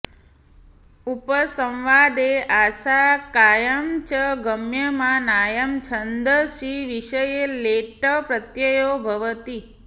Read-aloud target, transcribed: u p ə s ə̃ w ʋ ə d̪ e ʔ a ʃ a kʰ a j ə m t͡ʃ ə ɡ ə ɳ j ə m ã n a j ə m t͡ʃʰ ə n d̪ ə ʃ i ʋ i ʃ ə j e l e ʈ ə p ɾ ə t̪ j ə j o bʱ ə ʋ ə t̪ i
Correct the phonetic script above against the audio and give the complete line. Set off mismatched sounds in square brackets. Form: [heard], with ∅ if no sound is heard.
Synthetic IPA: u p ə s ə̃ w ʋ [a] d̪ e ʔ a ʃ a [k] a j ə m t͡ʃ ə ɡ ə [m] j ə m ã n a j ə m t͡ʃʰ ə n d̪ ə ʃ i ʋ i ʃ ə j e l e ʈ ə p ɾ ə t̪ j ə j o bʱ ə ʋ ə t̪ i